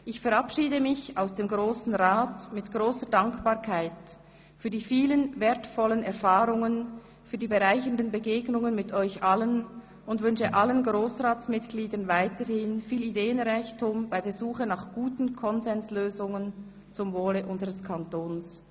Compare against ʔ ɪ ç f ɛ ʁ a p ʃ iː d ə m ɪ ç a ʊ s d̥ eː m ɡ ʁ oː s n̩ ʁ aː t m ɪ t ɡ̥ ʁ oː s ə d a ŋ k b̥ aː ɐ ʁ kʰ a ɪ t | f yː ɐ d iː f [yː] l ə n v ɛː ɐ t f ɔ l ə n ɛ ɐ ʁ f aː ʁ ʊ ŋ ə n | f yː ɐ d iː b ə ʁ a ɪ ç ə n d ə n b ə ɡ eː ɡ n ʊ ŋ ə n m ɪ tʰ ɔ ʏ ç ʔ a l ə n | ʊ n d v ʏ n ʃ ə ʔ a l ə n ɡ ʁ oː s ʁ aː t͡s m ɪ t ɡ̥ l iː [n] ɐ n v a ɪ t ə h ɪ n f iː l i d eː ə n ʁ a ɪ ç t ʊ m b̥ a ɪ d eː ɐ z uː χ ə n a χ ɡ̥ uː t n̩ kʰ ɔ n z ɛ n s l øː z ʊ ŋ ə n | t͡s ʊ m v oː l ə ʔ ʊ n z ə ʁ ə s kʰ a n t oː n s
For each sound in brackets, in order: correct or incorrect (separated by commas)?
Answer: incorrect, incorrect